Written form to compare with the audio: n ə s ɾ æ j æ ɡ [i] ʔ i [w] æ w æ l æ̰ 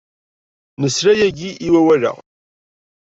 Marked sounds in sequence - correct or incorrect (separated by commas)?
correct, correct